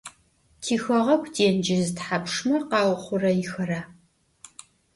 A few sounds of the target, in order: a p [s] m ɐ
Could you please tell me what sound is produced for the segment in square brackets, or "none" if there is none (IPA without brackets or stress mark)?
ʂ